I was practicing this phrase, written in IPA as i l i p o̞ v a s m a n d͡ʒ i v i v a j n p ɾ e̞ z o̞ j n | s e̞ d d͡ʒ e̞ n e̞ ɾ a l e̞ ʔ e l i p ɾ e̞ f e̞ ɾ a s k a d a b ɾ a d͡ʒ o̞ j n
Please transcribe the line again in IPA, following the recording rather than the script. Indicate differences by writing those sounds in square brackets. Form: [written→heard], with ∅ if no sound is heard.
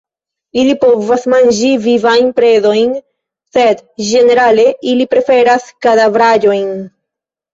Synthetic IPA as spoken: i l i p o̞ v a s m a n d͡ʒ i v i v a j n p ɾ e̞ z o̞ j n | s e̞ d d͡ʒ e̞ n e̞ ɾ a l e̞ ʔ [e→i] l i p ɾ e̞ f e̞ ɾ a s k a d a [b→v] ɾ a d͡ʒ o̞ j n